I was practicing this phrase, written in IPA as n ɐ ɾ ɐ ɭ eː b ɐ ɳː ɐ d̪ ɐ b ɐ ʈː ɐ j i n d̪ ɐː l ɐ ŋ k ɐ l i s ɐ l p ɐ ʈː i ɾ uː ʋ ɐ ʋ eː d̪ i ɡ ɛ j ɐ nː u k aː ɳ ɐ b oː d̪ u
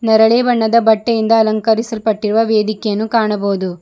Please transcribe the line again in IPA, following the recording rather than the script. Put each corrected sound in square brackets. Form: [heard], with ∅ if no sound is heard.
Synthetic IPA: n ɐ ɾ ɐ ɭ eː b ɐ ɳː ɐ d̪ ɐ b ɐ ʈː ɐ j i n d̪ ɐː l ɐ ŋ k ɐ [ɾ] i s ɐ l p ɐ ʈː i ɾ [u] ʋ ɐ ʋ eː d̪ i [k] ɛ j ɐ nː u k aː ɳ ɐ b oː d̪ u